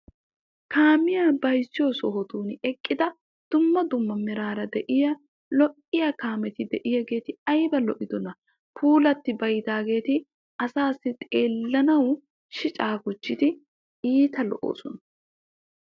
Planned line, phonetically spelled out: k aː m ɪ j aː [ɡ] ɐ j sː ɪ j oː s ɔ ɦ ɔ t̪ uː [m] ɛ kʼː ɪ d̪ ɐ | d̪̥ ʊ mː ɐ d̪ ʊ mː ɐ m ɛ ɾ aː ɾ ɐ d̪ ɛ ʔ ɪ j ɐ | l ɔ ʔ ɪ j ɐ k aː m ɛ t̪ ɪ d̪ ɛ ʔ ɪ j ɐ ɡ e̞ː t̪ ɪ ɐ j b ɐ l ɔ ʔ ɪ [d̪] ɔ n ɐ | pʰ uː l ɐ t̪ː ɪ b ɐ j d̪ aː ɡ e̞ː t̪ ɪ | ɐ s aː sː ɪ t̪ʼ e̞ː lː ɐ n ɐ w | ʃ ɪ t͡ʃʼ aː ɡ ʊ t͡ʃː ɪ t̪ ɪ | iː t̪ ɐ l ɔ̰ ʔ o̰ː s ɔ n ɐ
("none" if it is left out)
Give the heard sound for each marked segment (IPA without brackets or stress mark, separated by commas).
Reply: b, n, d̪